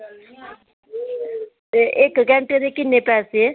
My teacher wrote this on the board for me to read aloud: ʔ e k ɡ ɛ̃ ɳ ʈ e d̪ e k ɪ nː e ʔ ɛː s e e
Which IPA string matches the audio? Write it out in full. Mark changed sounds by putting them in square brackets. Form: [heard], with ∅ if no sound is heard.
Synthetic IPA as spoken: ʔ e k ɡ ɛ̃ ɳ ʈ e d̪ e k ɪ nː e [p] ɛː s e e